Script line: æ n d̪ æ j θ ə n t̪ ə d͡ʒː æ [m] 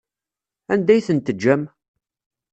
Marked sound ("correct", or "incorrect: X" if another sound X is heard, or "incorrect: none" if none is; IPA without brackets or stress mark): correct